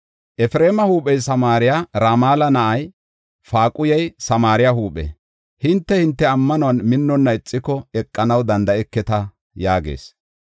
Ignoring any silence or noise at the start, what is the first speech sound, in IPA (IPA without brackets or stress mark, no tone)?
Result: ʔ